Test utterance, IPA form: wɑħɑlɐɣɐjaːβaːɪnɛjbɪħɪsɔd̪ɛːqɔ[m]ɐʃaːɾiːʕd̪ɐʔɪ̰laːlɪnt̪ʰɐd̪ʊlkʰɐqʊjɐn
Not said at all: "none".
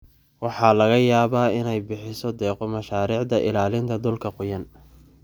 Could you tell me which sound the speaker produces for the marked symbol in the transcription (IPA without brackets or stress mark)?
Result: m